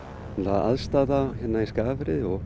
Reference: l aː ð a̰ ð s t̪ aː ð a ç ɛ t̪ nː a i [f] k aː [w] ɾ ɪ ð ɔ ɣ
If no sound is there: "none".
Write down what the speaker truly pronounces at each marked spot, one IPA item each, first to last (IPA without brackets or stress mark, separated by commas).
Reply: s, v